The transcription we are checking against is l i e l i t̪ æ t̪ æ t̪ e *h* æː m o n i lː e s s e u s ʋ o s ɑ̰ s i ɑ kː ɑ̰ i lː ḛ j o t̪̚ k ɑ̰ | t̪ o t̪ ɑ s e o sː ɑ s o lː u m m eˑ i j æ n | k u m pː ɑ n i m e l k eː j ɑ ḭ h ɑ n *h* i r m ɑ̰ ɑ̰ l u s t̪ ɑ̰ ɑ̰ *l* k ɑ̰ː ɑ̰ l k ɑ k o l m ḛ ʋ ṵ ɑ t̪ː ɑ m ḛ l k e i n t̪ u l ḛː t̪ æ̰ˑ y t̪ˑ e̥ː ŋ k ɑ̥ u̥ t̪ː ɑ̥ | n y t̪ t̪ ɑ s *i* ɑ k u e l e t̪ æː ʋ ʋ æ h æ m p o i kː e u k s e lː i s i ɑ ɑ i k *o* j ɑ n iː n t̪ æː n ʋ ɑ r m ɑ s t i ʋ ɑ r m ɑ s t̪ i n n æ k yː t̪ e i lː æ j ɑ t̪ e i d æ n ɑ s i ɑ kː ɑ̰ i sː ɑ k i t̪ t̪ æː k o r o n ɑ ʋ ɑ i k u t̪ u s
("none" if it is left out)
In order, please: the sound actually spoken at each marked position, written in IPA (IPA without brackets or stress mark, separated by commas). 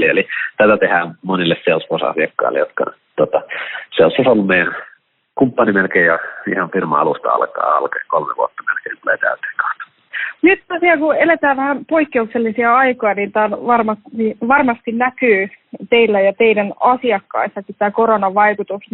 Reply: h, f, l, i, o